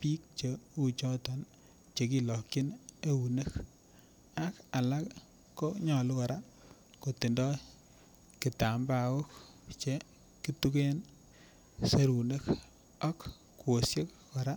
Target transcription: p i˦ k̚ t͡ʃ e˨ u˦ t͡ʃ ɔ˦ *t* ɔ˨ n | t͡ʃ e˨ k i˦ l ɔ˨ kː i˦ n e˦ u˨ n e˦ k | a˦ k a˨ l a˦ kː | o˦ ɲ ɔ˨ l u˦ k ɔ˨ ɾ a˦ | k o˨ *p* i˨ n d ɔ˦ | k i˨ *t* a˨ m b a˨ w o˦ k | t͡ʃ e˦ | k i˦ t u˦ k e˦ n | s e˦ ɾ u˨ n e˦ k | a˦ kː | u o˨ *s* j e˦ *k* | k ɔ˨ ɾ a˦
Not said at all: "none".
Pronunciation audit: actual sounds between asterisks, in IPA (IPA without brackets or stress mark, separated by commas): t, t, t, s, k